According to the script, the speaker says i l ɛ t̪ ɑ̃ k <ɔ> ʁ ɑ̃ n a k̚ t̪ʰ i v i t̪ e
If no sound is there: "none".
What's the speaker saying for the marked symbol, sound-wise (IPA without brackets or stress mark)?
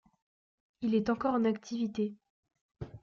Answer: ɔ